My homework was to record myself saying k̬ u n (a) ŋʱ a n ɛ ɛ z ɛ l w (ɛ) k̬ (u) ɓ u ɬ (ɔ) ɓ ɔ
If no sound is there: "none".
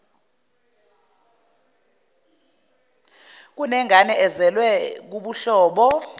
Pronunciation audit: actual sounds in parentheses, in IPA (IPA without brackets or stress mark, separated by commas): ɛ, ɛ, u, ɔː